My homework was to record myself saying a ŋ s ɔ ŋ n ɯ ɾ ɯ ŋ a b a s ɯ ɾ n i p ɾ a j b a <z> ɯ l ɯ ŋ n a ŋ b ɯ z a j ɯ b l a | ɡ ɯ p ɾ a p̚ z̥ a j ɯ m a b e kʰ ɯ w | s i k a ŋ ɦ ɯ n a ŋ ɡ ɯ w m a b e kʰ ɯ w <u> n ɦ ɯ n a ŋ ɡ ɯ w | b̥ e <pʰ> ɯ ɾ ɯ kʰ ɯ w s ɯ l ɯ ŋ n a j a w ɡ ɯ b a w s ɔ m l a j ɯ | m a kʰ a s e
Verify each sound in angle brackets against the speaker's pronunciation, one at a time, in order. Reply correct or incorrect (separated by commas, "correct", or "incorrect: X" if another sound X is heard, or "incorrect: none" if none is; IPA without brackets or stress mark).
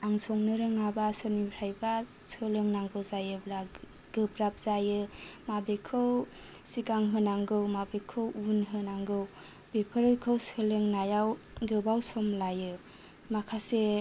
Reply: incorrect: s, correct, correct